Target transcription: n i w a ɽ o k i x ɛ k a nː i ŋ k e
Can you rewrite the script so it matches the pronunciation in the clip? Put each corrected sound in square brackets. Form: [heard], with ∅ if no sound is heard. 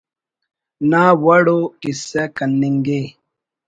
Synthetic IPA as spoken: n [a] w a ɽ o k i [s] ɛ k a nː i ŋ [ɡ] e